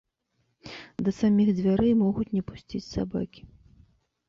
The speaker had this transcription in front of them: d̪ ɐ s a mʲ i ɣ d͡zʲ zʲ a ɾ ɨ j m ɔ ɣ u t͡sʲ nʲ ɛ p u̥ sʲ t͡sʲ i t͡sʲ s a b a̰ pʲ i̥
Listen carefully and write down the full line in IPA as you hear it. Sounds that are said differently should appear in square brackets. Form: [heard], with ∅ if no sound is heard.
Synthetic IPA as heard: d̪ ɐ s a mʲ i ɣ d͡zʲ [vʲ] a ɾ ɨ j m ɔ ɣ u t͡sʲ nʲ ɛ p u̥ sʲ t͡sʲ i t͡sʲ s a b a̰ [kʲ] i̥